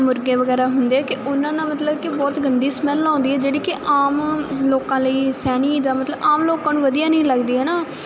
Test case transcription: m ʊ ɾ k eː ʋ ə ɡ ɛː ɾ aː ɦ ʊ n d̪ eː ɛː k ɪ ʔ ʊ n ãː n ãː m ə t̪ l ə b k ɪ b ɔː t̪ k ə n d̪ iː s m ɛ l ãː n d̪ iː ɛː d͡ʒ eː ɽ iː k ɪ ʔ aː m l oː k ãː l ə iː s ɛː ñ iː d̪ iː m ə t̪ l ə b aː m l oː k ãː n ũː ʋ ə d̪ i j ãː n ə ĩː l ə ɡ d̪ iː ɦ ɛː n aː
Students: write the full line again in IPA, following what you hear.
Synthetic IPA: m ʊ ɾ ɡ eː ʋ ə ɡ ɛː ɾ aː ɦ ʊ n d̪ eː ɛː k ɪ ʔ ʊ n ãː n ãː m ə t̪ l ə b k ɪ b ɔː t̪ ɡ ə n d̪ iː s m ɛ l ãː n d̪ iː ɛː d͡ʒ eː ɽ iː k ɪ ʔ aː m l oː k ãː l ə iː s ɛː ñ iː d̪ aː m ə t̪ l ə b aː m l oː k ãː n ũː ʋ ə d̪ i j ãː n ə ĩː l ə ɡ d̪ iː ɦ ɛː n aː